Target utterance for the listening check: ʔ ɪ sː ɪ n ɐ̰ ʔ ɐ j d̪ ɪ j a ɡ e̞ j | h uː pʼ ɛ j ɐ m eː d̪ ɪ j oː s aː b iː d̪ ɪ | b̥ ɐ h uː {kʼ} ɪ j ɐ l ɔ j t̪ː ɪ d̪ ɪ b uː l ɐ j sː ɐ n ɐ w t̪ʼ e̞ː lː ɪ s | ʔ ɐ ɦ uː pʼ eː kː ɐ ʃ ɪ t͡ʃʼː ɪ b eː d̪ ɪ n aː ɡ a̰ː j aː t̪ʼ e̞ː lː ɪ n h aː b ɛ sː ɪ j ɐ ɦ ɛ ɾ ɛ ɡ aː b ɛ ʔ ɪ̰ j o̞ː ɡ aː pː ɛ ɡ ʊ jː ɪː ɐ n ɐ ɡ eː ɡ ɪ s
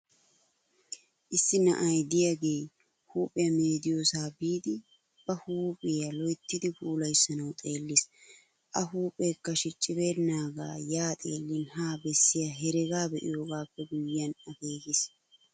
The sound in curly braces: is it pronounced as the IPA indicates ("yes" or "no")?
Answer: no